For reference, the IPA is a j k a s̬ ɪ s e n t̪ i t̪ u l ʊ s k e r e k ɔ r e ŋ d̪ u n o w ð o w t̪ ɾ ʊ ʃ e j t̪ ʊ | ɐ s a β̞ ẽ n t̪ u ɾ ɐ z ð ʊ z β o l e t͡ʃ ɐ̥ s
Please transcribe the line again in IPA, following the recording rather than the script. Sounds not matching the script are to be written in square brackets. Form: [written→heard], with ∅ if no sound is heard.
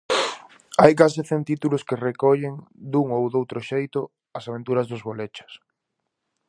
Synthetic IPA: a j k a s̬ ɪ [s→θ] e n t̪ i t̪ u l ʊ s k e r e k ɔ [r→ʎ] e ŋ d̪ u [n→ŋ] o w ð o w t̪ ɾ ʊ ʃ e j t̪ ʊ | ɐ s a β̞ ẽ n t̪ u ɾ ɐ z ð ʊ z β o l e t͡ʃ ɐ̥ s